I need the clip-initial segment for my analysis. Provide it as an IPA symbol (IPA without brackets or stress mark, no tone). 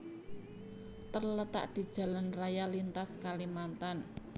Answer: t̪